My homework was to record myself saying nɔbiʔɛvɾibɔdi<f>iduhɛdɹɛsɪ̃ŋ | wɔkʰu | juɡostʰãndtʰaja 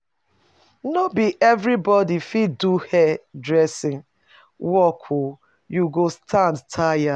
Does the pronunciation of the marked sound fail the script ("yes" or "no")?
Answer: no